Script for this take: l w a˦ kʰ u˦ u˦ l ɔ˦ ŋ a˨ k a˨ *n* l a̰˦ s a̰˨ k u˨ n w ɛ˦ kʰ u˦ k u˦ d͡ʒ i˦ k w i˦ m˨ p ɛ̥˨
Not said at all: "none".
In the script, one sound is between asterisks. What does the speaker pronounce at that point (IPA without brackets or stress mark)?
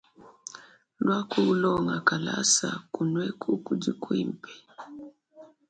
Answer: none